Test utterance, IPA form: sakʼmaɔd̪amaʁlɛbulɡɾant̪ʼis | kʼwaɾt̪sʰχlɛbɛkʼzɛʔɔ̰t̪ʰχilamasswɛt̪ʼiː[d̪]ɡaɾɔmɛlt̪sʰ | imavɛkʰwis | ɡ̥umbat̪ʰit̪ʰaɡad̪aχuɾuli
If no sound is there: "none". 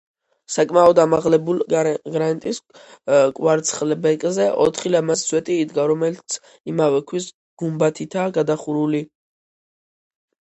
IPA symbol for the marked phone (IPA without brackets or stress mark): d̪